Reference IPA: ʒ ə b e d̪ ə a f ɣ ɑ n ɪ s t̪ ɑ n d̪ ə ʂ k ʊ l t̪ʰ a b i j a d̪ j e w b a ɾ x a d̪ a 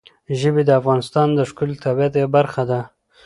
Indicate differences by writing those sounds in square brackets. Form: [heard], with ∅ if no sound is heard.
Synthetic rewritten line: ʒ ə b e d̪ ə a f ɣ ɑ n ɪ s t̪ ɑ n d̪ ə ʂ k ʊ l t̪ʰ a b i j a [t̪] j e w b a ɾ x a d̪ a